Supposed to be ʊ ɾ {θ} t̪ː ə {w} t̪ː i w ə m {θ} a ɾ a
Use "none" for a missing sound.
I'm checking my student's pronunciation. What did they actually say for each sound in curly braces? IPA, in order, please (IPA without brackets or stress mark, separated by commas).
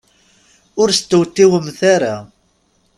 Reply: s, w, θ